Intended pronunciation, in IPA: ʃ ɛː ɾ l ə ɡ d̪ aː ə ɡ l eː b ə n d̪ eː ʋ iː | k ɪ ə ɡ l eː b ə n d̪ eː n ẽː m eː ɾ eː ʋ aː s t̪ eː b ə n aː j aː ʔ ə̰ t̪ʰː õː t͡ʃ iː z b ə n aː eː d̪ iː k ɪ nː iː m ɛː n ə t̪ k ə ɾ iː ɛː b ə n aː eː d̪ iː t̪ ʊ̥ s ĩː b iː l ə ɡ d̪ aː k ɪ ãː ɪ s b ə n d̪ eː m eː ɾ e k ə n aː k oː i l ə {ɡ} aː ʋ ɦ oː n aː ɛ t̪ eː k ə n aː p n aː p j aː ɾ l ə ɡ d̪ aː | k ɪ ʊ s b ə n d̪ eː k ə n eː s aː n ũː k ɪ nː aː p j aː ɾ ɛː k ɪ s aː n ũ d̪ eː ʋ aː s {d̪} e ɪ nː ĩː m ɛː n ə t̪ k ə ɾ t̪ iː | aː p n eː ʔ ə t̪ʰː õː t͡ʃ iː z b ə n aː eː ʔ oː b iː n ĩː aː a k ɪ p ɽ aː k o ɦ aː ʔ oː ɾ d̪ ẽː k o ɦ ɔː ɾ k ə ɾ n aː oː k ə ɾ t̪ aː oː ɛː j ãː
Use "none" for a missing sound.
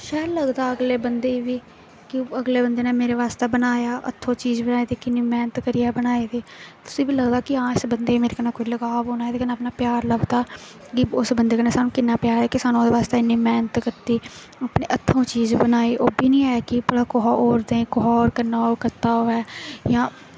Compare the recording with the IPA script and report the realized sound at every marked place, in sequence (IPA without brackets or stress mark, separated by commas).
ɡ, t̪